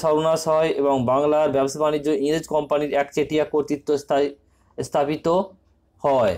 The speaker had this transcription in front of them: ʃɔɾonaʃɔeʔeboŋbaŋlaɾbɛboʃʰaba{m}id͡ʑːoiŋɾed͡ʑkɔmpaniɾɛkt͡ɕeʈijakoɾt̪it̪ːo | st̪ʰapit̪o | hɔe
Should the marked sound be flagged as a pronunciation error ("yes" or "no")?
yes